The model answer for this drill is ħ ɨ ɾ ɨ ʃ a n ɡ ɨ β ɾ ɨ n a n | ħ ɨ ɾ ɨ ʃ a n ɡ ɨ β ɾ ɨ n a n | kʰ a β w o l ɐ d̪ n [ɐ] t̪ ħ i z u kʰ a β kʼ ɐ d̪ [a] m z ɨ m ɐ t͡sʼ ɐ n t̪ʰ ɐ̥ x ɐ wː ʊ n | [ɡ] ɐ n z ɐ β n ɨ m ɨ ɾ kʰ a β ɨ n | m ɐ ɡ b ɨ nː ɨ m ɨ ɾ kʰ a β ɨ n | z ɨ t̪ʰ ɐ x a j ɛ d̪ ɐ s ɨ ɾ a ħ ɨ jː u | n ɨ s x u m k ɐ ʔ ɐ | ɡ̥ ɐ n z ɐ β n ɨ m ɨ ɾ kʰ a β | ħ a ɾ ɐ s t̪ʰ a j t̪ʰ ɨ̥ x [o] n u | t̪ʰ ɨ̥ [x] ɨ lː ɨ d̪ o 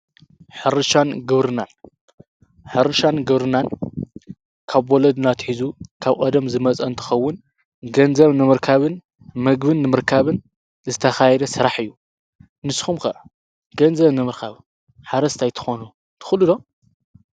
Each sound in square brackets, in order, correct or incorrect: incorrect: a, incorrect: ɐ, correct, correct, correct

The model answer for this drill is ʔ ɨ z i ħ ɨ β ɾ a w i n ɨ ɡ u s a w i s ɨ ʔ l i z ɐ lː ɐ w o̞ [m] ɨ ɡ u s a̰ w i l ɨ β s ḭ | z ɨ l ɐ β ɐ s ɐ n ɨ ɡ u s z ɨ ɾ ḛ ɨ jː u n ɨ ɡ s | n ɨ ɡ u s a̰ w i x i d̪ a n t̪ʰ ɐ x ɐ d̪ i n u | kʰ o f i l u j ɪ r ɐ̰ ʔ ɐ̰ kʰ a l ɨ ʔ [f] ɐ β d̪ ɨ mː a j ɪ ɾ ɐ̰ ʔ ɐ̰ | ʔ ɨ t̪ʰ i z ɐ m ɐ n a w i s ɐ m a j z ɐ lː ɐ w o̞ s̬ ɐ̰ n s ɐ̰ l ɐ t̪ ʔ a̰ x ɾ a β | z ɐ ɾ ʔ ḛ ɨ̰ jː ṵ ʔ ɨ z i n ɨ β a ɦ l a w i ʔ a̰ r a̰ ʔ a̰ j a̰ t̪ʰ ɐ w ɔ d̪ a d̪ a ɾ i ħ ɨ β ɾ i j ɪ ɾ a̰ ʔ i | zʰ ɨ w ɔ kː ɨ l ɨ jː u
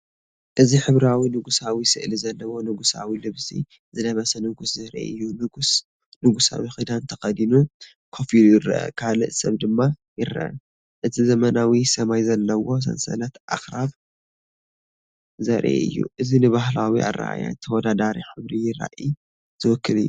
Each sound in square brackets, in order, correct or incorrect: incorrect: n, incorrect: s

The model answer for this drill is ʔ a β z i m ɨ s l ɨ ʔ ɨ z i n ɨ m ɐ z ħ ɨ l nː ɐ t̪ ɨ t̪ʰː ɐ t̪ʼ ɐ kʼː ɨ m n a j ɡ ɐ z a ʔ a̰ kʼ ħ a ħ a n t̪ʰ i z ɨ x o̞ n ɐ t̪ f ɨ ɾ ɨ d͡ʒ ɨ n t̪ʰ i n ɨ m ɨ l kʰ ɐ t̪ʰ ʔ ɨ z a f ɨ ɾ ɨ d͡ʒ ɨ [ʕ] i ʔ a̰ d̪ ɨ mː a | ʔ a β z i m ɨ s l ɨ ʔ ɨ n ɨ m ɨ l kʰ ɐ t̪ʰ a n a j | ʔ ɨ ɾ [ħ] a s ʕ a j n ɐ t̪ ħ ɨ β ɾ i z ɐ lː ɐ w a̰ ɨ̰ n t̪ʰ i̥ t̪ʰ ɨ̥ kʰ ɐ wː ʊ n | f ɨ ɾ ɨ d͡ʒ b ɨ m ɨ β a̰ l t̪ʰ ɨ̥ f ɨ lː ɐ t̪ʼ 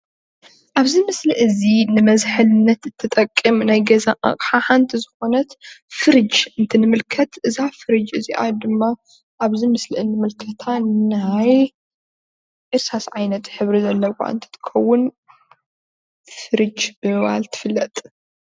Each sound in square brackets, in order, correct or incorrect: incorrect: z, incorrect: s

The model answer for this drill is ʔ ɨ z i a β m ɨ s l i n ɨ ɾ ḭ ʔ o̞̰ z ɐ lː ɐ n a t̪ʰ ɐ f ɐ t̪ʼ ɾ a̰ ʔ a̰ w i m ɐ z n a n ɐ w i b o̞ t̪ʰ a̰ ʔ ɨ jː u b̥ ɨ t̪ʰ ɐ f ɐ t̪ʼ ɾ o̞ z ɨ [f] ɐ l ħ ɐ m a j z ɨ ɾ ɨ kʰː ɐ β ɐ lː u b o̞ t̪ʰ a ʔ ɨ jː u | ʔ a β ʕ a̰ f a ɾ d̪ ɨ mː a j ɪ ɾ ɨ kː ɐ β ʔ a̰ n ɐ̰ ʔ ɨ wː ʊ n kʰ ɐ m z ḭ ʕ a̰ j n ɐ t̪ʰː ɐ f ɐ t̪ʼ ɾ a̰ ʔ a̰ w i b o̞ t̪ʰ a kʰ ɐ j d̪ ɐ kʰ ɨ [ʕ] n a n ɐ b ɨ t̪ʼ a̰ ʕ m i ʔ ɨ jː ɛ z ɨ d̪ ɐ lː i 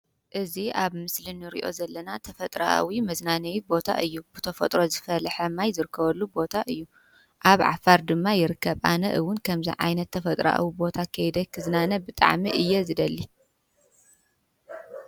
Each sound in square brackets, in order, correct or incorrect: correct, incorrect: z

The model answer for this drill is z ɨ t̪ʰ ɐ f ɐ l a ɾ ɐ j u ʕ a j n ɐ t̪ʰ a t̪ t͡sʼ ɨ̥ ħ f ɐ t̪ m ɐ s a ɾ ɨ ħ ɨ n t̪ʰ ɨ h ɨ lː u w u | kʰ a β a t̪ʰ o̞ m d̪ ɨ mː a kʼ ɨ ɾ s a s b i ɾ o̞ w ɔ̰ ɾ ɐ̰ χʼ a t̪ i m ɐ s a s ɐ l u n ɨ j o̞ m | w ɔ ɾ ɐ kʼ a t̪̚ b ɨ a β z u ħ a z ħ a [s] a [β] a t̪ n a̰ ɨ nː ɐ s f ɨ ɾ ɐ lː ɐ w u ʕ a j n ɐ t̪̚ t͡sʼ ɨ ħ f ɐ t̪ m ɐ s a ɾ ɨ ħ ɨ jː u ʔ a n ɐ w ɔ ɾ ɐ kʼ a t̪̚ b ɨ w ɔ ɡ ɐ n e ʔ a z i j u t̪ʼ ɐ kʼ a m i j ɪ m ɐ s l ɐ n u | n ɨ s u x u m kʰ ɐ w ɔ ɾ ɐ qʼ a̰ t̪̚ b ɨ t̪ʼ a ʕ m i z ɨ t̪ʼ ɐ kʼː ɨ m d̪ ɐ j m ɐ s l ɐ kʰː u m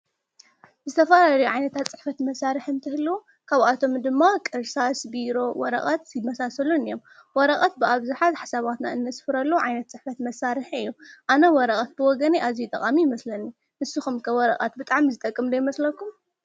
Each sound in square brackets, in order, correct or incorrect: correct, correct

